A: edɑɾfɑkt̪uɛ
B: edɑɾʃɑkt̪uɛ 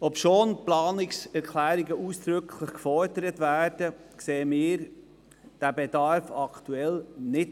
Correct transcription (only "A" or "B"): A